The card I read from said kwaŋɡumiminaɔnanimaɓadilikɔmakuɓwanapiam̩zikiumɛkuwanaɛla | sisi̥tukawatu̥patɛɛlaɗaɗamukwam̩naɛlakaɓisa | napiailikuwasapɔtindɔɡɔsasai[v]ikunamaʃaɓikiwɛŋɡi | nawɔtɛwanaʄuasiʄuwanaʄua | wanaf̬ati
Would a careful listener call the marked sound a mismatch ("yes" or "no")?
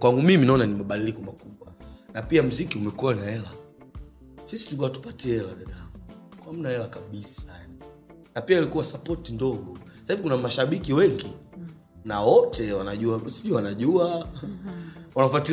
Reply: no